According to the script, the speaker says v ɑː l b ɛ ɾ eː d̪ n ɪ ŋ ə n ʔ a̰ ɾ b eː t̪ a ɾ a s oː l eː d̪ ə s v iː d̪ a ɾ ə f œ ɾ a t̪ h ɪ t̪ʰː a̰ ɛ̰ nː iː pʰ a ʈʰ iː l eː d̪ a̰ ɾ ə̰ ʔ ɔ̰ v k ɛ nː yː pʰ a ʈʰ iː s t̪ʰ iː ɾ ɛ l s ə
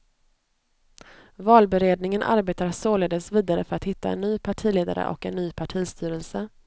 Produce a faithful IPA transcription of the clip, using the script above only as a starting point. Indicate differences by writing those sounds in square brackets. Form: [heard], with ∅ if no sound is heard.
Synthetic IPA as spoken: v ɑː l b ɛ ɾ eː d̪ n ɪ ŋ ə n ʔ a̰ ɾ b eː t̪ a ɾ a s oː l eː d̪ ə s v iː d̪ a ɾ ə f œ ɾ a t̪ h ɪ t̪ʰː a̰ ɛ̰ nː [yː] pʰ a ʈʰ iː l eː d̪ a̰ ɾ ə̰ ʔ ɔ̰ [∅] k ɛ nː yː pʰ a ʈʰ iː s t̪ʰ [yː] ɾ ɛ l s ə